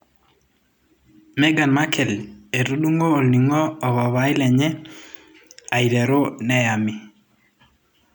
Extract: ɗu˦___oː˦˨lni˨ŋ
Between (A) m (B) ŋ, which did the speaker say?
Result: B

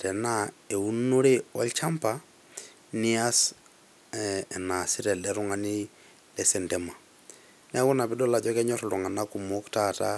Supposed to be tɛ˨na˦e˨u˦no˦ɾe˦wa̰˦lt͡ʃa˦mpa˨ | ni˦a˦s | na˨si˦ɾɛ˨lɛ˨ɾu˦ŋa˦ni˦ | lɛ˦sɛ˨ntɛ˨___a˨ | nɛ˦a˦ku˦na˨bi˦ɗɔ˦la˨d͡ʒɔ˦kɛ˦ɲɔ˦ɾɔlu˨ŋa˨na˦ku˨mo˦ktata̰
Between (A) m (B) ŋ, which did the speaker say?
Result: A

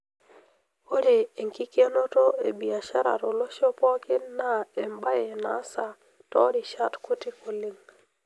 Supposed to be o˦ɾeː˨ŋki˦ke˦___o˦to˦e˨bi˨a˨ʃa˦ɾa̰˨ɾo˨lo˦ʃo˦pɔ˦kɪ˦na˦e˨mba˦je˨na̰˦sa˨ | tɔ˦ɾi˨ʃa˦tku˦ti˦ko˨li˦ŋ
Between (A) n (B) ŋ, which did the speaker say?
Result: A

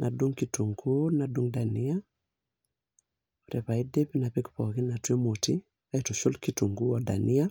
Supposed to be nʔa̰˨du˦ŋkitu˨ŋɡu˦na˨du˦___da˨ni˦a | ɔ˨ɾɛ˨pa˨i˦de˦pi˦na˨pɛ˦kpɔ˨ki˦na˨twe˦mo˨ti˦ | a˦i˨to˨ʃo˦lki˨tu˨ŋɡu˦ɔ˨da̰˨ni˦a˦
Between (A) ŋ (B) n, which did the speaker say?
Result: A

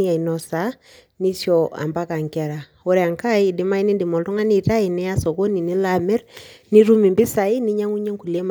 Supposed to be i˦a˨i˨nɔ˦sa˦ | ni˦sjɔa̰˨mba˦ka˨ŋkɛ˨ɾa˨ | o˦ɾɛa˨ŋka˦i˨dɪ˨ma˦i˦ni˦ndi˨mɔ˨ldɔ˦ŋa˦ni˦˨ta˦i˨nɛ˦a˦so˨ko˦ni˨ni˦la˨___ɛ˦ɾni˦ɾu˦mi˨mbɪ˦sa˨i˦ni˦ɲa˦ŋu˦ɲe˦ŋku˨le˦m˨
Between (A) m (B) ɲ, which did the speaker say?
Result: A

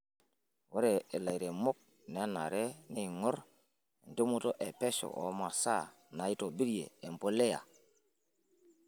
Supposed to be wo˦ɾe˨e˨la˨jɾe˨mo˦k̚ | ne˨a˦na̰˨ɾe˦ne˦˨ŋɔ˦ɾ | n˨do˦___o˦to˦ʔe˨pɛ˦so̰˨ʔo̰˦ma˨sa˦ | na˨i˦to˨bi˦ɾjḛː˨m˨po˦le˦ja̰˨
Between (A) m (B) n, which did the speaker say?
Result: A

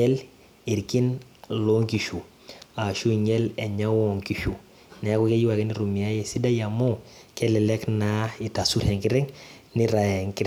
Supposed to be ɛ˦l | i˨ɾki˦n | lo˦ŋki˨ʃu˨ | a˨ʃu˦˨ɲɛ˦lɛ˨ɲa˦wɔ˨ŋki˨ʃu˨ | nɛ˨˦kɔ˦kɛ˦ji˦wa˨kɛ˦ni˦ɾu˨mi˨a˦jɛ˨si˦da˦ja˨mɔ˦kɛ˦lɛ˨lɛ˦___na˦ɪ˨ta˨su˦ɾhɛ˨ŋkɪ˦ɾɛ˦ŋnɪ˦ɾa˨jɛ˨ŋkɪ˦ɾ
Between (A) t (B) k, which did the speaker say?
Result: B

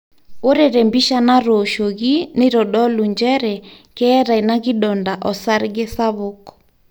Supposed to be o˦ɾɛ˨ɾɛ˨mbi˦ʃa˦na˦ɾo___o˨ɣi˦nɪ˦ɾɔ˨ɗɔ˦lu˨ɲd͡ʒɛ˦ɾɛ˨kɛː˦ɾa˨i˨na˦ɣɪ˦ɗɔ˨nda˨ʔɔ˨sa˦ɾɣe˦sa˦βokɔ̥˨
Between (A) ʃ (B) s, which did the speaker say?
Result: A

